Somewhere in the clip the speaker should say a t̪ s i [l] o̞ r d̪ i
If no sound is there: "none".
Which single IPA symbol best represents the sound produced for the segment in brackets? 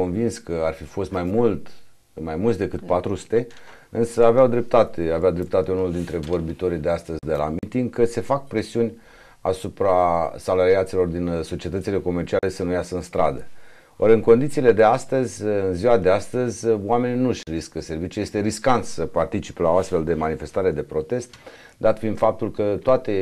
l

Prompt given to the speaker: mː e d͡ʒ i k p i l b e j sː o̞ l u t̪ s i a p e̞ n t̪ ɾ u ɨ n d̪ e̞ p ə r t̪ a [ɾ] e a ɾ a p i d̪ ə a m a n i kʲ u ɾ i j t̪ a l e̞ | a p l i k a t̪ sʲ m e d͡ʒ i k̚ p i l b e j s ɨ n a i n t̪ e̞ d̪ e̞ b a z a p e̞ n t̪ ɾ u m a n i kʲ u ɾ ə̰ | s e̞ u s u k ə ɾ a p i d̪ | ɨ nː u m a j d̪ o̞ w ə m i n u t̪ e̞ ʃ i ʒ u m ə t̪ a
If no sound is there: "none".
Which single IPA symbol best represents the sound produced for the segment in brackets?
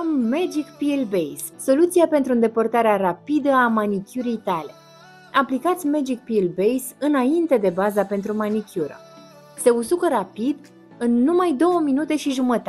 ɾ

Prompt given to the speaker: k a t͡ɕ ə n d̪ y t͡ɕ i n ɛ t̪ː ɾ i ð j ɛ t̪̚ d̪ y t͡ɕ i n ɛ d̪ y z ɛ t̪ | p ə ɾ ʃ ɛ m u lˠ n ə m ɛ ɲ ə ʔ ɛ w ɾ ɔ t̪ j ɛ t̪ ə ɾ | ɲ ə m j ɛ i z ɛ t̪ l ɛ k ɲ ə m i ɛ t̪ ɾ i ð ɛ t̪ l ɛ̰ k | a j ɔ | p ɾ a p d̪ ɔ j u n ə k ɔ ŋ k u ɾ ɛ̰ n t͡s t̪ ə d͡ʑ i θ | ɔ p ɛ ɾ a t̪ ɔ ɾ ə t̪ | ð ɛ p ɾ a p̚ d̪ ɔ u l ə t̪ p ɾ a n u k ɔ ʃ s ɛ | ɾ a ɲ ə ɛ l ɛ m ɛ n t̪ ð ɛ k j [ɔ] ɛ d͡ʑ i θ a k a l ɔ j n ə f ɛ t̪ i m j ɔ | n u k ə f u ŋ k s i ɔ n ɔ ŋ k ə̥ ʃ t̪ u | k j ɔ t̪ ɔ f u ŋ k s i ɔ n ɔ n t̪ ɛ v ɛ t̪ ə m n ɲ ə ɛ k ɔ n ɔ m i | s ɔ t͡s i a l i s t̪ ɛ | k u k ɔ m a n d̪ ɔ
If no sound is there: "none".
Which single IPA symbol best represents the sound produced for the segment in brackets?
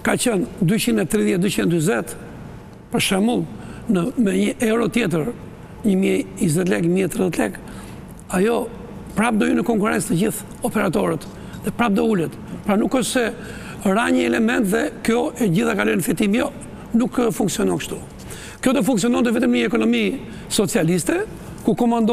ɔ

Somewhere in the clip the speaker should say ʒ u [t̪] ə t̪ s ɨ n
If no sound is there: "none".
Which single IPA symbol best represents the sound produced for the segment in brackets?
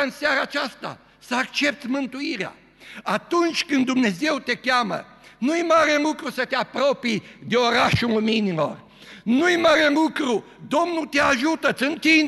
t̪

